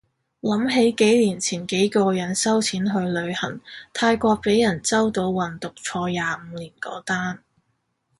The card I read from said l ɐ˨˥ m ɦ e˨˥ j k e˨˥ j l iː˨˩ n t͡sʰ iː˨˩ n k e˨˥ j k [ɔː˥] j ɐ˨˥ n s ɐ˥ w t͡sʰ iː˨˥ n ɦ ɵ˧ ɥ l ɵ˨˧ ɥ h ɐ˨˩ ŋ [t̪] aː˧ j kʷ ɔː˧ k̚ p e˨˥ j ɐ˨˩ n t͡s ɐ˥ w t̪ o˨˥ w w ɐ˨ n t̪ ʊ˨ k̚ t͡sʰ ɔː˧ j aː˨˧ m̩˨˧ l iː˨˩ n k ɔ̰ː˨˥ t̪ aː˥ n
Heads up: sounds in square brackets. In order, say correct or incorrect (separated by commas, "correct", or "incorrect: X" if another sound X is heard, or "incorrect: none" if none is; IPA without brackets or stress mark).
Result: incorrect: ɔː˧, incorrect: t̪ʰ